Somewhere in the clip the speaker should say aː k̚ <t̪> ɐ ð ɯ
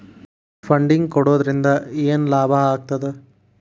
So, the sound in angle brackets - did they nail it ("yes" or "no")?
yes